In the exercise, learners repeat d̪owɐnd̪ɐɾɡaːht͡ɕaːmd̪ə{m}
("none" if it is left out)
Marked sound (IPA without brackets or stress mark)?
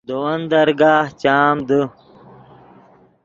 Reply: none